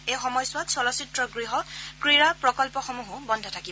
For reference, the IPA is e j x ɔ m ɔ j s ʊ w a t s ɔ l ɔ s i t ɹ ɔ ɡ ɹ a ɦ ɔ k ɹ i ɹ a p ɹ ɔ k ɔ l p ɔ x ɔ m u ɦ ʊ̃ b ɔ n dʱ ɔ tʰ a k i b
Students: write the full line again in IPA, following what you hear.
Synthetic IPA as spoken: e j x ɔ m ɔ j s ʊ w a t s ɔ l ɔ s i t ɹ ɔ ɡ ɹ i ɦ ɔ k ɹ i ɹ a p ɹ ɔ k ɔ l p ɔ x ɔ m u ɦ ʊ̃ b ɔ n dʱ ɔ tʰ a k i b